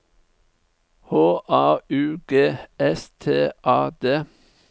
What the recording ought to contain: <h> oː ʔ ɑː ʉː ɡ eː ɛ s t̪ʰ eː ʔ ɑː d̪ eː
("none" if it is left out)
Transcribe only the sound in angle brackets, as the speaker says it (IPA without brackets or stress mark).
h